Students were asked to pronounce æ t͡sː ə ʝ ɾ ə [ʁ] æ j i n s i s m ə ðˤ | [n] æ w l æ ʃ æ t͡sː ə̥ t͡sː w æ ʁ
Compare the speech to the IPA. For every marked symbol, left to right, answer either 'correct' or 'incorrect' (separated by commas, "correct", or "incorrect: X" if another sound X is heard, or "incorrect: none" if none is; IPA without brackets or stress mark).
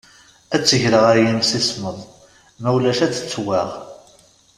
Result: correct, incorrect: m